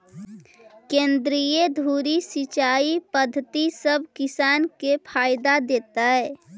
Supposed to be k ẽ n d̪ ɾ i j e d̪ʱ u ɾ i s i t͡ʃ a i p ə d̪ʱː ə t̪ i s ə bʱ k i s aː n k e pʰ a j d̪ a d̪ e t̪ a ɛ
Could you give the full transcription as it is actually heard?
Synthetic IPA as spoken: k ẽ n d̪ ɾ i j e d̪ʱ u ɾ i s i t͡ʃ a i p ə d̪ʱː ə t̪ i s ə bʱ k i s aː n k e pʰ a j d̪ a d̪ e t̪ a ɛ